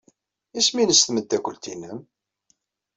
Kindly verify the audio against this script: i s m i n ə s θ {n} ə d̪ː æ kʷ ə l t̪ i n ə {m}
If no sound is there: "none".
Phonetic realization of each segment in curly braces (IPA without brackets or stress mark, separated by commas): m, m